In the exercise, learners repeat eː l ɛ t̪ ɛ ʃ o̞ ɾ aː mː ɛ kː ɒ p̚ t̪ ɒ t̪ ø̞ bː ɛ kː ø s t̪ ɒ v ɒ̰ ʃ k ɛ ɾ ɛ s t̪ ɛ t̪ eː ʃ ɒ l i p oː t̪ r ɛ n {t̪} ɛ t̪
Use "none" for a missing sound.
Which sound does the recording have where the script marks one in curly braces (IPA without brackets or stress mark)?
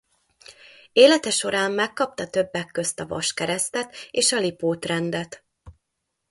d̪